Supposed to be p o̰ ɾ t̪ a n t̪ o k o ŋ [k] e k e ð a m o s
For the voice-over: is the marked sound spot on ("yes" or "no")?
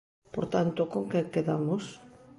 yes